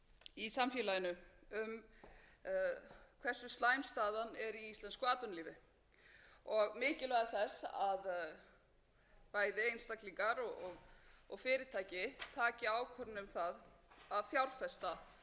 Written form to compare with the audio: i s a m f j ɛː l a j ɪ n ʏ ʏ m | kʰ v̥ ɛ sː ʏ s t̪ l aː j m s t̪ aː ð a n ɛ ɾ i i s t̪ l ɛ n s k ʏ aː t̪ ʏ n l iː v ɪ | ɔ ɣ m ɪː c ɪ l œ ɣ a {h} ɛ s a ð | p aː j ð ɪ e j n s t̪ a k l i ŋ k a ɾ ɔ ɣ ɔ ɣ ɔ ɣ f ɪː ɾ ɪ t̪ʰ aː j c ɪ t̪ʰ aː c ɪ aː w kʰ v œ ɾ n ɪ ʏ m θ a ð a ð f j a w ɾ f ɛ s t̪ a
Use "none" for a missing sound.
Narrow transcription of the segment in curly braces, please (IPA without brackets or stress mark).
θ